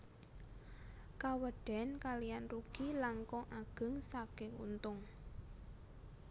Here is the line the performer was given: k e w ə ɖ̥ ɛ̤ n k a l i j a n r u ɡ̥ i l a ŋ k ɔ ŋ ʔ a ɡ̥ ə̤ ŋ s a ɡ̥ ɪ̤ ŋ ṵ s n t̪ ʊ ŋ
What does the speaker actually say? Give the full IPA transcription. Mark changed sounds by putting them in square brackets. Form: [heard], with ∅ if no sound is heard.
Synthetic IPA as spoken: k [a] w ə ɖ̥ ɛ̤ n k a l i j a n r u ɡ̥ i l a ŋ k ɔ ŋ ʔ a ɡ̥ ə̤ ŋ s a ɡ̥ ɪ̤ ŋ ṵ [∅] n t̪ ʊ ŋ

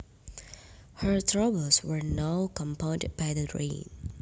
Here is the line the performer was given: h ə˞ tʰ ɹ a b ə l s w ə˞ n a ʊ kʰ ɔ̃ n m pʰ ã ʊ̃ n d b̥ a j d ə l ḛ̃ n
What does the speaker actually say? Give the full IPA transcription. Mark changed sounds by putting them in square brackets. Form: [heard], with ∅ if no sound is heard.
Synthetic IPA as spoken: h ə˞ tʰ ɹ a b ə l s w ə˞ n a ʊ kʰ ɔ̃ [∅] m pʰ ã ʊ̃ n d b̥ a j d ə [ɹ] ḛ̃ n

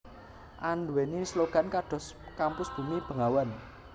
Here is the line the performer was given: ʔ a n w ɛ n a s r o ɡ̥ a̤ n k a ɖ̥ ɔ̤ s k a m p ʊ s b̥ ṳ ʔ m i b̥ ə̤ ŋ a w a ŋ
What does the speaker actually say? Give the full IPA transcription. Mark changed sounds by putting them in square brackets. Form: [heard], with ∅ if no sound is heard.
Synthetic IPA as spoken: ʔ a n w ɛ n [i] s [l] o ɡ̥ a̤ n k a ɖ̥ ɔ̤ s k a m p ʊ s b̥ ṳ [∅] m i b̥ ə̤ ŋ a w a [n]

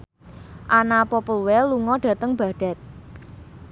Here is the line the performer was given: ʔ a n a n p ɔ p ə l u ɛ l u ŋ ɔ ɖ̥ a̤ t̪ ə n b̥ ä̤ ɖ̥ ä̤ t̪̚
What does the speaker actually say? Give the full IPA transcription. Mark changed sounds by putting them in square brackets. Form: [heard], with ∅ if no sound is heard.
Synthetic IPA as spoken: ʔ a n a [∅] p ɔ p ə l [w] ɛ l u ŋ ɔ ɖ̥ a̤ t̪ ə [ŋ] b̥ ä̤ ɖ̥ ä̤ t̪̚

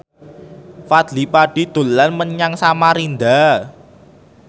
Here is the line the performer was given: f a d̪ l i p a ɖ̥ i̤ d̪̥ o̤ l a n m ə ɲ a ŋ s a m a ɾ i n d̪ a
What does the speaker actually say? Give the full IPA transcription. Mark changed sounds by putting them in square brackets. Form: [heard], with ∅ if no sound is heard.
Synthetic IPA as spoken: f a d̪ l i p a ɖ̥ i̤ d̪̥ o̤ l a n m ə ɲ a ŋ s a m a ɾ i n d̪ a

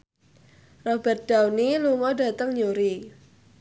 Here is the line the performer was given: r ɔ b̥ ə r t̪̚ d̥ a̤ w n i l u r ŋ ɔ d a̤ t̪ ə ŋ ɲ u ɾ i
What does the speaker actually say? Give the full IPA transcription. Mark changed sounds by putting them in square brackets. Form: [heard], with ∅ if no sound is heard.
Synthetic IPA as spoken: r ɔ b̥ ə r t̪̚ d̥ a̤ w n i l u [∅] ŋ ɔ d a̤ t̪ ə ŋ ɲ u ɾ i

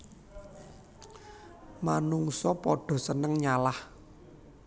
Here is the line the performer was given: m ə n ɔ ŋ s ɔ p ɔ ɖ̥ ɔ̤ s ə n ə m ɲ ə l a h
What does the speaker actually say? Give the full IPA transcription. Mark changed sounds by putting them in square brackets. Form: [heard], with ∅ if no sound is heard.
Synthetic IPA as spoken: m [a] n [u] ŋ s ɔ p ɔ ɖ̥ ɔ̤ s ə n ə [ŋ] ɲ [a] l a h

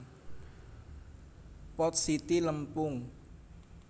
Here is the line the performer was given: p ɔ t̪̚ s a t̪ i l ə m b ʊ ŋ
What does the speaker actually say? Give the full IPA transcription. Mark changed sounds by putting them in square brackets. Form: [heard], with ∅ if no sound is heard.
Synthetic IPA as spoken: p ɔ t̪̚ s [i] t̪ i l ə m [p] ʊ ŋ

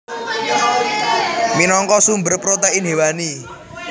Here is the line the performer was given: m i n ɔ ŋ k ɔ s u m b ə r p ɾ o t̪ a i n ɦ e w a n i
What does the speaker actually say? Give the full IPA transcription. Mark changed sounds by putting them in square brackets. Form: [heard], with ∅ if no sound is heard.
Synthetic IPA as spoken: m i n ɔ ŋ k ɔ s u m b ə r p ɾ o t̪ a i n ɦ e w a n i

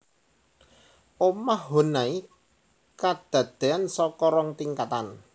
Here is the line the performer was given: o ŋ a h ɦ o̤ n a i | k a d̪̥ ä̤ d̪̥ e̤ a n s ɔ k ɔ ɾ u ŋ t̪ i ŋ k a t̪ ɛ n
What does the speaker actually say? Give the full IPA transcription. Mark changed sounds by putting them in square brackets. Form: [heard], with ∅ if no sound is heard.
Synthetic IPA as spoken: o [m] a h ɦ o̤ n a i | k a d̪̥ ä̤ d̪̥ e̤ a n s ɔ k ɔ ɾ [ɔ] ŋ t̪ i ŋ k a t̪ [a] n

